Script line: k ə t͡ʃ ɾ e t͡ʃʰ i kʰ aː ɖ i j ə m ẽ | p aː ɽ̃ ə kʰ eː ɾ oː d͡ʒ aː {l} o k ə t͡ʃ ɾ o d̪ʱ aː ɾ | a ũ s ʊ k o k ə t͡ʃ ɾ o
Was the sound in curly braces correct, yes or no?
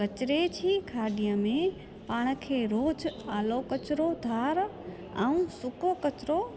yes